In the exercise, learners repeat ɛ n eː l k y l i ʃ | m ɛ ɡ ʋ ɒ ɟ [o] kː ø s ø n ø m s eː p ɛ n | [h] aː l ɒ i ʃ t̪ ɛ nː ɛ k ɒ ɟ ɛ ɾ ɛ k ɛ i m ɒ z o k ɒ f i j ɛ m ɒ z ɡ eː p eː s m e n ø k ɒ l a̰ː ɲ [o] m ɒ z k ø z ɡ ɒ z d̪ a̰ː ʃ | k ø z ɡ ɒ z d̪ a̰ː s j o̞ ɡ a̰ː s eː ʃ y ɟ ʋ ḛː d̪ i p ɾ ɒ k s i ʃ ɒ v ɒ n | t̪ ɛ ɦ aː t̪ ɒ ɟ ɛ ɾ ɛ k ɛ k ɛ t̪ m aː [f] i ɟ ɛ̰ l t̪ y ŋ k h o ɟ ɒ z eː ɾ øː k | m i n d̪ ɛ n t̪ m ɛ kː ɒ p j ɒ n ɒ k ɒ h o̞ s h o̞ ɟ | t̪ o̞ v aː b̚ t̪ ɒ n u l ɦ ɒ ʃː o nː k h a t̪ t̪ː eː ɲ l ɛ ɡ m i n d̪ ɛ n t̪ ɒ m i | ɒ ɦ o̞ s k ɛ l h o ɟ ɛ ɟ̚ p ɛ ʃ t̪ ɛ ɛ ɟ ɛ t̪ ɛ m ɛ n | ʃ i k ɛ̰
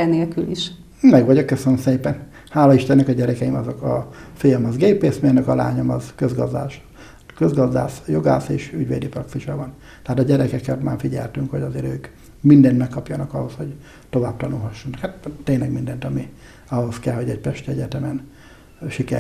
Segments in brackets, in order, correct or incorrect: correct, correct, correct, correct

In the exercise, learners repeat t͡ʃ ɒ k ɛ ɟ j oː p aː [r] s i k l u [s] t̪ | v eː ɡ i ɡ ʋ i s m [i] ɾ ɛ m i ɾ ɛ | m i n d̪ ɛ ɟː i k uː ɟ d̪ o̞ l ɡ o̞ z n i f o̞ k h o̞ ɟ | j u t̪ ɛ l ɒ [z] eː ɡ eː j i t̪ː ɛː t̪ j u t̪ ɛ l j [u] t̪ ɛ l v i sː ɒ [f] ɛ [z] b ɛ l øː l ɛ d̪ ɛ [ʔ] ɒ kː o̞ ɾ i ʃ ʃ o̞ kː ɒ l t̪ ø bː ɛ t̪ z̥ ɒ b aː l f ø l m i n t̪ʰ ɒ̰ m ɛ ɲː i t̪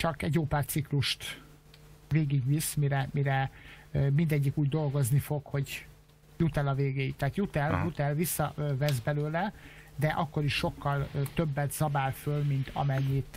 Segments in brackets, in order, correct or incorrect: correct, incorrect, correct, incorrect, correct, incorrect, correct, correct

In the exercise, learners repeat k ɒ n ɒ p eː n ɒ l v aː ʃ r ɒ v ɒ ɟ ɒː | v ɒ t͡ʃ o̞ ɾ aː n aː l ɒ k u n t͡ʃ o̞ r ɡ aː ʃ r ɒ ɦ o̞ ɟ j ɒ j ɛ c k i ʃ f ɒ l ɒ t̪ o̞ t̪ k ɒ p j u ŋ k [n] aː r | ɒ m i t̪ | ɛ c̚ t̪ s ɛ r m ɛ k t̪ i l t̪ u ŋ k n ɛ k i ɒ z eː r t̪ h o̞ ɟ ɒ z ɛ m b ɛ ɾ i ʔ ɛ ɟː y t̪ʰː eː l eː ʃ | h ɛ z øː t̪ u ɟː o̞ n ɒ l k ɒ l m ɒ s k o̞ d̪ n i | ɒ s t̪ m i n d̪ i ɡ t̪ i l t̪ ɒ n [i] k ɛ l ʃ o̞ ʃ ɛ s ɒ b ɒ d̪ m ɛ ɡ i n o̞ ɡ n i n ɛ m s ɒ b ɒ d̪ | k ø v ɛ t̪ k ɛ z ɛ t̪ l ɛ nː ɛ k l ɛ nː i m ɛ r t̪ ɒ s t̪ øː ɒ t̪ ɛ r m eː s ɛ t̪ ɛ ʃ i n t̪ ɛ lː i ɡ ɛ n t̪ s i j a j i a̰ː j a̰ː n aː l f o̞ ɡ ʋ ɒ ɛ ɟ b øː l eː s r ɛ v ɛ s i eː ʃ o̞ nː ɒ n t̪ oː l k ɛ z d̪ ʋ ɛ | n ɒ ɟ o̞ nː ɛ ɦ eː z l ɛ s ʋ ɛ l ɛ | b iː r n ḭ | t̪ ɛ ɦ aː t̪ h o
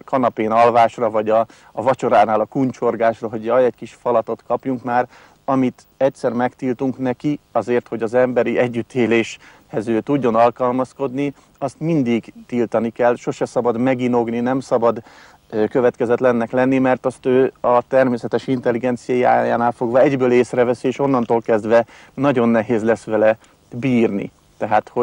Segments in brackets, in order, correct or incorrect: incorrect, correct

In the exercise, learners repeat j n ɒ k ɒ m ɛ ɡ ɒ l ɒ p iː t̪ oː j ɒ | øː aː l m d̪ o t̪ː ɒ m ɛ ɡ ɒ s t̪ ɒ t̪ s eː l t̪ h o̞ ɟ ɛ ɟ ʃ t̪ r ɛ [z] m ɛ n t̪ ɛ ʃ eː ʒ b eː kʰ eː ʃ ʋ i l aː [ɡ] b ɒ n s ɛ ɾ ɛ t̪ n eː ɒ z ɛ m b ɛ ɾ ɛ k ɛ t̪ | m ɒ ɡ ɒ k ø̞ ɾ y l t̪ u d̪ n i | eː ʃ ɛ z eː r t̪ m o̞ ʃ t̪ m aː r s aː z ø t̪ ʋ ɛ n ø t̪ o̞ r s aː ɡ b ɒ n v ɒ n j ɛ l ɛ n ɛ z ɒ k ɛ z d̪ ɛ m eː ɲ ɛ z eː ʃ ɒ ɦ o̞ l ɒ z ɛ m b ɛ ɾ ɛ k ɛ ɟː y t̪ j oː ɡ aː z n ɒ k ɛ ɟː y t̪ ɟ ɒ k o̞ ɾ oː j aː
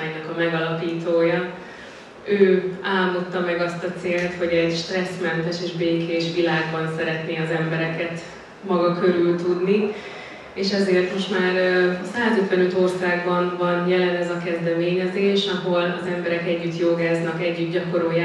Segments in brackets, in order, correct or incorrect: incorrect, correct

